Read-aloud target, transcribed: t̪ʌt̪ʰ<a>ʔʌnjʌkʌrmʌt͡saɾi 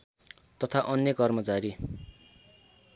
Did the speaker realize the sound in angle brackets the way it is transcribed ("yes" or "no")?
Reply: yes